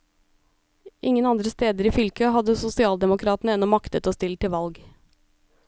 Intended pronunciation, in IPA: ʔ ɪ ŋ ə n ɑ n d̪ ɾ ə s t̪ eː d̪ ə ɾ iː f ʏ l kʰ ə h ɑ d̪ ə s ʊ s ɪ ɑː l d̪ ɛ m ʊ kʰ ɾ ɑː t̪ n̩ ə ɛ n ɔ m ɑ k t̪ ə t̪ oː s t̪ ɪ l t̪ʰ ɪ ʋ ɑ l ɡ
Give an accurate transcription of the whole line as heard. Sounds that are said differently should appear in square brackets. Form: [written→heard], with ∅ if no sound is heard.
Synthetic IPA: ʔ ɪ ŋ ə n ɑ n d̪ ɾ ə s t̪ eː d̪ ə ɾ iː f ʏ l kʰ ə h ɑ d̪ ə s ʊ s ɪ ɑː l d̪ ɛ m ʊ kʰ ɾ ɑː t̪ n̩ ə ɛ n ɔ m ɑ k t̪ ə t̪ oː s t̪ ɪ l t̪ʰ ɪ ʋ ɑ l ɡ